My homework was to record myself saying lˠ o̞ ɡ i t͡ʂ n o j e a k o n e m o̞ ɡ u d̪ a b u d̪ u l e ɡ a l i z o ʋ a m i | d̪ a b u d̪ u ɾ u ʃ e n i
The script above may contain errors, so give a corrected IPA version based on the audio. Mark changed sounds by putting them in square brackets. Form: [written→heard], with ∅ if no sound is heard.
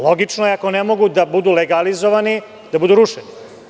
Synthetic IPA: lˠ o̞ ɡ i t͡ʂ n o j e a k o n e m o̞ ɡ u d̪ a b u d̪ u l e ɡ a l i z o ʋ a [m→n] i | d̪ a b u d̪ u ɾ u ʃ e n i